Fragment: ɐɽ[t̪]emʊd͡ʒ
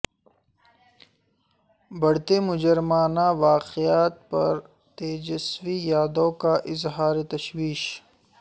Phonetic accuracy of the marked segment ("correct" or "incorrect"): correct